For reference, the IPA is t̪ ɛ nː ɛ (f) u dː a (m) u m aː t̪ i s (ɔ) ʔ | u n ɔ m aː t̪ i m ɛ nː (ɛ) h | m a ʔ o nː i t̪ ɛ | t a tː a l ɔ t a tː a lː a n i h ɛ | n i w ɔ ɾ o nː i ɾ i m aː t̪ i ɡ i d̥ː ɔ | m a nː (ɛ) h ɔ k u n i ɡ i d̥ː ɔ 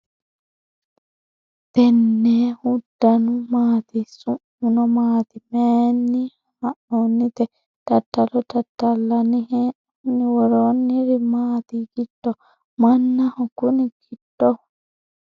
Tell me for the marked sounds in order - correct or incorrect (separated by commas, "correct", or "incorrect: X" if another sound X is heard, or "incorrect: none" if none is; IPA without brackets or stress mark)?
incorrect: h, incorrect: n, incorrect: u, incorrect: i, incorrect: a